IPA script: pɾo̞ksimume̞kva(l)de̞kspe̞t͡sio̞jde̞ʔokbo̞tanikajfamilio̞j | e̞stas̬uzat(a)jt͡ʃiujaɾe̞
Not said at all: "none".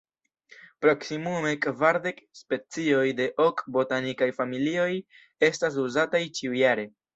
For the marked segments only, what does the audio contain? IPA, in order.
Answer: ɾ, a

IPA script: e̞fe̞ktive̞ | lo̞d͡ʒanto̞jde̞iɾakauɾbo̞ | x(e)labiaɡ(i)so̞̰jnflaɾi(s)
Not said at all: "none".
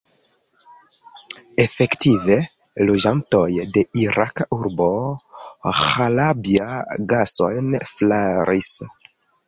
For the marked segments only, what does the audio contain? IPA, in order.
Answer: a, a, s

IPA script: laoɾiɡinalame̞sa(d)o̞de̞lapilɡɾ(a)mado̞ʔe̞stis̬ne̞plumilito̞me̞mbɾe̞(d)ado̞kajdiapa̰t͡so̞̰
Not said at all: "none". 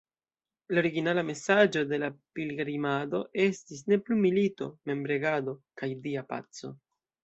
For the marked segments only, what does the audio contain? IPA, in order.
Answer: d͡ʒ, i, ɡ

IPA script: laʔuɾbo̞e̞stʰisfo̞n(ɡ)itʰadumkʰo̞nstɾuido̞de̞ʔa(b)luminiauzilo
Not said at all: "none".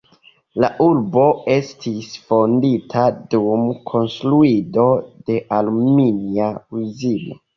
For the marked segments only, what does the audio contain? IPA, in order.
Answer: d, none

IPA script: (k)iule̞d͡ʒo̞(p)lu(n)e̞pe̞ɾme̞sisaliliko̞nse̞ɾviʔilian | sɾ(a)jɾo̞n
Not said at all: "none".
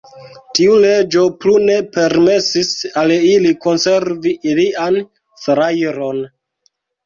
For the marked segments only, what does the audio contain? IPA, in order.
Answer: t, p, n, a

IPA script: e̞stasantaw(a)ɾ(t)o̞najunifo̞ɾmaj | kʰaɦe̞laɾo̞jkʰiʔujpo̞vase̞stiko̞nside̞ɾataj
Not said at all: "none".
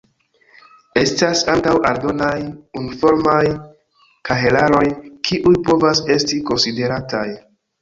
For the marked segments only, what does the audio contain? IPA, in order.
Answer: a, d

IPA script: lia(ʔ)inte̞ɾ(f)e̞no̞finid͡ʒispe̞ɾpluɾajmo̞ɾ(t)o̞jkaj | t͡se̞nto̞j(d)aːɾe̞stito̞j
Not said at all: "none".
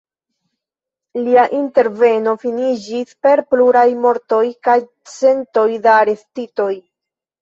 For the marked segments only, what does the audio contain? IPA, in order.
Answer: ʔ, v, t, d

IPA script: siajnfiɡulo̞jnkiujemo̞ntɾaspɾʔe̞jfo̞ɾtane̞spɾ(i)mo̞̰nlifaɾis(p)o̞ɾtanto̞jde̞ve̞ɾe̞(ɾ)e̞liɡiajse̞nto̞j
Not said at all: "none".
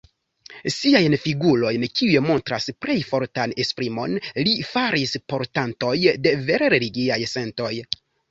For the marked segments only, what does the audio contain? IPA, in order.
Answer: i, p, ɾ

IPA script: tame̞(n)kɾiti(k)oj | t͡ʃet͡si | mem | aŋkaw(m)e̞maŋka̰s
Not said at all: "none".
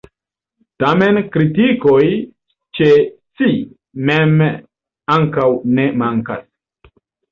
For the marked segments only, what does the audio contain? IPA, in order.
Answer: n, k, n

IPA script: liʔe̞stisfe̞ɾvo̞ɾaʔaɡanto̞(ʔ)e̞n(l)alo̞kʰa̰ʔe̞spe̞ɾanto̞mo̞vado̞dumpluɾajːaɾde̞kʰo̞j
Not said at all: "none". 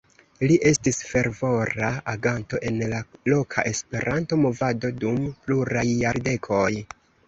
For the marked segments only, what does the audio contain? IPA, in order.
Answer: ʔ, l

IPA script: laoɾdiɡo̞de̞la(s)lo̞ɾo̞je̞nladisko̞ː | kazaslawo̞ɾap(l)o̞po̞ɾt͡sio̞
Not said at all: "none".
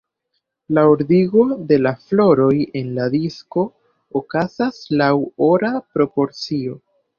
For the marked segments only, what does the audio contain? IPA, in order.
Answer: f, ɾ

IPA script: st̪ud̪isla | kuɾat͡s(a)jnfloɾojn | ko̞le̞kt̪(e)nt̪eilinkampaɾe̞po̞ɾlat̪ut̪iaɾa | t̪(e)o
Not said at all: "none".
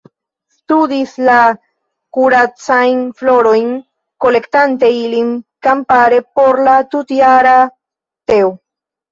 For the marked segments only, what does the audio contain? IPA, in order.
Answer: a, a, e

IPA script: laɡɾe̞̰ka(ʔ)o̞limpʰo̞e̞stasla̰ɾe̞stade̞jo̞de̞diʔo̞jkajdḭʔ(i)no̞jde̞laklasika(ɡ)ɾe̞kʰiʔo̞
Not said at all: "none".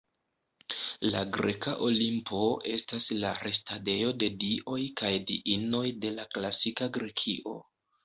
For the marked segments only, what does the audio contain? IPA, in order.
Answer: ʔ, i, ɡ

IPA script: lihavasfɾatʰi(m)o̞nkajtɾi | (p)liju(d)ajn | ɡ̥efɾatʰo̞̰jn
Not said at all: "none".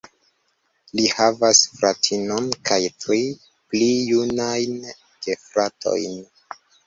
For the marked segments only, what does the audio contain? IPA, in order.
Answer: n, p, n

